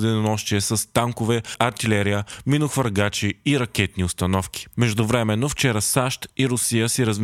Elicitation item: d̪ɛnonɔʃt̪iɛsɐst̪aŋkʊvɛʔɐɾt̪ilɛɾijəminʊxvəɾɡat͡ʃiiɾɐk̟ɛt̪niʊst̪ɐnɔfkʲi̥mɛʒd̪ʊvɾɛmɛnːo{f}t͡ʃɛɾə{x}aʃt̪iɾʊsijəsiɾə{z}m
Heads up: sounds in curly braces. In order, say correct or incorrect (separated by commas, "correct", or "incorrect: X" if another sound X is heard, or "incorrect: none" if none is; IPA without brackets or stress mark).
correct, incorrect: s, correct